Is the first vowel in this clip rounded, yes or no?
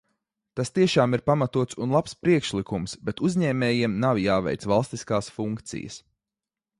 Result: no